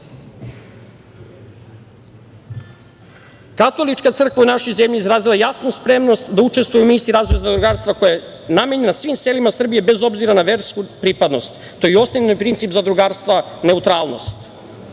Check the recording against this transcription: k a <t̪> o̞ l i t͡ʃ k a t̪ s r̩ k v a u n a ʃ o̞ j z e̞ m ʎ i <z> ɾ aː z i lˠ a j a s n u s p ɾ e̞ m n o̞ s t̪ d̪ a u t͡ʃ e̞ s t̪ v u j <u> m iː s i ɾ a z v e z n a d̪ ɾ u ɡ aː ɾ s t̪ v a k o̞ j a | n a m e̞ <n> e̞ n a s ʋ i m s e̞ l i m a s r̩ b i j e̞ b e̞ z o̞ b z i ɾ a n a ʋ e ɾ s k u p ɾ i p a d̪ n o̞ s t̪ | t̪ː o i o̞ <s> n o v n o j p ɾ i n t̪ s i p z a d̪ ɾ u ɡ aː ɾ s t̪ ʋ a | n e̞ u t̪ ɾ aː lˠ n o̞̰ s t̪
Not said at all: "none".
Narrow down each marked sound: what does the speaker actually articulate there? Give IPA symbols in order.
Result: t̪, z, u, ɲ, s

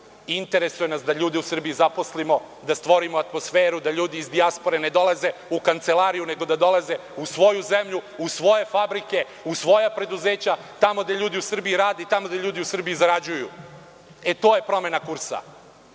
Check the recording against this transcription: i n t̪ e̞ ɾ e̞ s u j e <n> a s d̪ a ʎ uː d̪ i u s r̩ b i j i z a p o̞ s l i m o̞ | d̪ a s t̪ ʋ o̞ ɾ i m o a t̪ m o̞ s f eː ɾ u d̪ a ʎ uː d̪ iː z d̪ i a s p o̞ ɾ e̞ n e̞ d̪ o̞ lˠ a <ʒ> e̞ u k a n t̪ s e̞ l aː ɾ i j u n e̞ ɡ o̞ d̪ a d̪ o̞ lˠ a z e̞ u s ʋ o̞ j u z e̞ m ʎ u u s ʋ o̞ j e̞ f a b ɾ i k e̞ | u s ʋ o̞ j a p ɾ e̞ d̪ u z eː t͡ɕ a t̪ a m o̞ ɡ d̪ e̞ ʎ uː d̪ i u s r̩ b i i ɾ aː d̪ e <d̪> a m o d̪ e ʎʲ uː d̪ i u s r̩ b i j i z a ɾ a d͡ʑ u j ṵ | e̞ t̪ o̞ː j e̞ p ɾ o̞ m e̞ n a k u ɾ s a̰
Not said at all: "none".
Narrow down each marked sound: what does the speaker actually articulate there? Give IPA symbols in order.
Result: n, z, t̪

